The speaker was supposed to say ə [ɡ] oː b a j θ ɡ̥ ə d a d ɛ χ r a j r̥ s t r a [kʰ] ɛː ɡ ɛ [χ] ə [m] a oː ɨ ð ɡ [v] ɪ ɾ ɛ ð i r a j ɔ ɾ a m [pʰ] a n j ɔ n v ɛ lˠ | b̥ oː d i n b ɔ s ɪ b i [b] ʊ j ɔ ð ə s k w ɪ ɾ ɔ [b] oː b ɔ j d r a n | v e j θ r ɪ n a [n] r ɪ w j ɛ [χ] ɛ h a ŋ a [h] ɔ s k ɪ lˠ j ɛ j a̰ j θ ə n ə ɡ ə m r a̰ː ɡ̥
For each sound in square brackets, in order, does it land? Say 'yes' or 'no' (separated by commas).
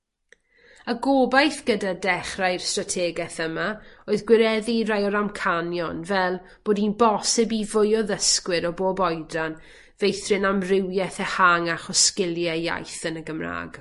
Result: yes, no, no, yes, no, no, no, yes, no, no, no